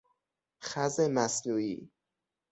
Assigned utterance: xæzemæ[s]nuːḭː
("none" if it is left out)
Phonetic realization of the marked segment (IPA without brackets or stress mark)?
s